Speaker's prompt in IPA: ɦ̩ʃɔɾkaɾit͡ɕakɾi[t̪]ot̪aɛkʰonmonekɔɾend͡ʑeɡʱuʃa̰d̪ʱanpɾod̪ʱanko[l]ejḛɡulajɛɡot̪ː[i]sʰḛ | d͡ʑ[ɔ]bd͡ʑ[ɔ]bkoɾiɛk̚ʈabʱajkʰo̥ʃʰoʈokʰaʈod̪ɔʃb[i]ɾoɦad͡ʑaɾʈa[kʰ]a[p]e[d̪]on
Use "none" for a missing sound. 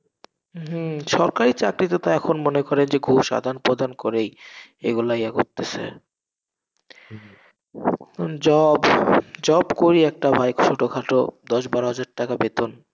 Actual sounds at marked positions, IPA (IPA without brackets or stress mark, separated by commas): t̪, ɾ, e, ɔ, ɔ, a, k, b, t̪